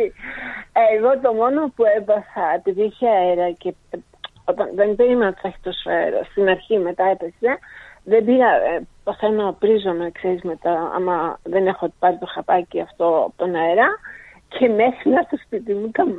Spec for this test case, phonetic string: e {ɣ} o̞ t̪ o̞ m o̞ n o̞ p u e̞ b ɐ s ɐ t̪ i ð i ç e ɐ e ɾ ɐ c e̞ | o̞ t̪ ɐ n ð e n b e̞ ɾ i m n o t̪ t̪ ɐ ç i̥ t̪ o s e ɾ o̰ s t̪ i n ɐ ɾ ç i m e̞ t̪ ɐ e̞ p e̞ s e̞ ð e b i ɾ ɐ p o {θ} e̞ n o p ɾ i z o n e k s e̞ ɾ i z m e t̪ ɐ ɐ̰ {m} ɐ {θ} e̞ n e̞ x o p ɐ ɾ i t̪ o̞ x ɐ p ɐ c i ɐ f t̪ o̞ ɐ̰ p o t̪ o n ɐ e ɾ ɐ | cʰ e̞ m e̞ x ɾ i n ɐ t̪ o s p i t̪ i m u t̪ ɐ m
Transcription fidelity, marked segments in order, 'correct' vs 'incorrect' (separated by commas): correct, correct, correct, incorrect